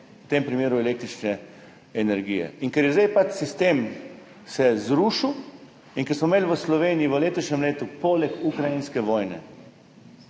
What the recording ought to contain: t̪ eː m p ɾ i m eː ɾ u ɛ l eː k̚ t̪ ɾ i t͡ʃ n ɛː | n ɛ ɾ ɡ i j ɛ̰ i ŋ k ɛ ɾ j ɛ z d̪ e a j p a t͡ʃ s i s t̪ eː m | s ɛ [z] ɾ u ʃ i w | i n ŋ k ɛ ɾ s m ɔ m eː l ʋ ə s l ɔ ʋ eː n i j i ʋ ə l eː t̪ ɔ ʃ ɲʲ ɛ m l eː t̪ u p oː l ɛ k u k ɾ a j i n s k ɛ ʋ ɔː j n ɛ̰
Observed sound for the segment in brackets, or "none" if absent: z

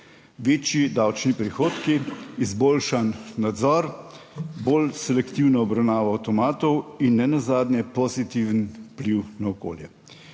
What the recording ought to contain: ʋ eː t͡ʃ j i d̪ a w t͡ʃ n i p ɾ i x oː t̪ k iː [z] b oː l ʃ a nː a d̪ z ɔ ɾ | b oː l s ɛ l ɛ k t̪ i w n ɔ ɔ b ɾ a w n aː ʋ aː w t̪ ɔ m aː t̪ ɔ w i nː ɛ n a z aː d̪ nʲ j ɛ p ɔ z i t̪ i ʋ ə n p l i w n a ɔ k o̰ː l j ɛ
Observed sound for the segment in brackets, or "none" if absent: z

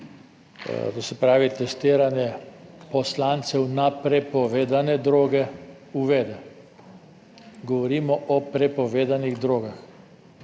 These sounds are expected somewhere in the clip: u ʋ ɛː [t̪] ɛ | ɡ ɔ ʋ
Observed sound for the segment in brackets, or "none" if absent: d̪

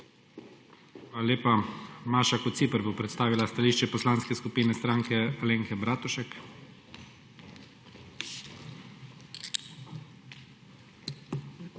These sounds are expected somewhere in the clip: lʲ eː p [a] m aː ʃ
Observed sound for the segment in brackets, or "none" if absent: a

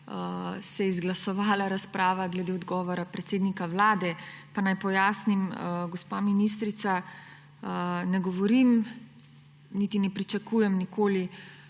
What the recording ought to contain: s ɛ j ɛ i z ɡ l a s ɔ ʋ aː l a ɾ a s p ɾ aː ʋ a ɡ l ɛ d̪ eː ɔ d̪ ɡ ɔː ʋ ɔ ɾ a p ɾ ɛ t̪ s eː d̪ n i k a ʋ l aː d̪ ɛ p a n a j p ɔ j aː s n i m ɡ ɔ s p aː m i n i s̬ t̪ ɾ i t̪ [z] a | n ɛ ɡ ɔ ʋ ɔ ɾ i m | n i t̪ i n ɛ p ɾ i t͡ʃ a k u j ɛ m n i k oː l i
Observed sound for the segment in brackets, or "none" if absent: s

